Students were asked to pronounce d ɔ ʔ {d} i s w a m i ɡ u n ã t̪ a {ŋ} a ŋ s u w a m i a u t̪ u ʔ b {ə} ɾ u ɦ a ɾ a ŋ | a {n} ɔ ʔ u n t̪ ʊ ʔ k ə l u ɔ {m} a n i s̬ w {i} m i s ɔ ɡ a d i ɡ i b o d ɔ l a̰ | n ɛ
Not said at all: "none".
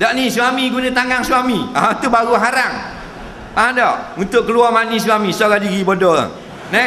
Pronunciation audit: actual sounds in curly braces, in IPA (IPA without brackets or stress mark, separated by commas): n, ŋ, a, d, m, a